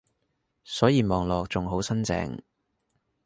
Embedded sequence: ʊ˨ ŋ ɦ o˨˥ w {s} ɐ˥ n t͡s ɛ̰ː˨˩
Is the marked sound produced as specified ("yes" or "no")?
yes